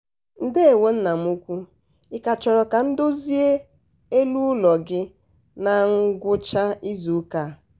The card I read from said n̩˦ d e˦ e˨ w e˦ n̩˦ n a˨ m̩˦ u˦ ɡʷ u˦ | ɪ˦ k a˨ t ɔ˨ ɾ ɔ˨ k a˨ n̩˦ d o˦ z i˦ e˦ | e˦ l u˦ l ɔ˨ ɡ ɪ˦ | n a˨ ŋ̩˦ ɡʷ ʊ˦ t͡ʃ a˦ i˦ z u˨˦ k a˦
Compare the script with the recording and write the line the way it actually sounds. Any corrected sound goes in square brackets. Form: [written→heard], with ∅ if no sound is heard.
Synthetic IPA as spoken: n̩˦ d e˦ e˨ w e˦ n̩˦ n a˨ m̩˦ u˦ [ɡʷ→kʷ] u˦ | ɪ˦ k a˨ [t→t͡ʃ] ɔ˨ ɾ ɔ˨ k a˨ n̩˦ d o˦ z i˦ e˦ | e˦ l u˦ l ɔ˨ ɡ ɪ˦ | n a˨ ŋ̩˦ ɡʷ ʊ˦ t͡ʃ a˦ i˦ z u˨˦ k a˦